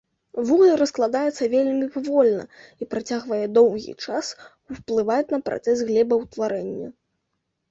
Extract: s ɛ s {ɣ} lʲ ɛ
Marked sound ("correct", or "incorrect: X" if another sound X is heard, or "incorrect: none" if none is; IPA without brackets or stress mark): correct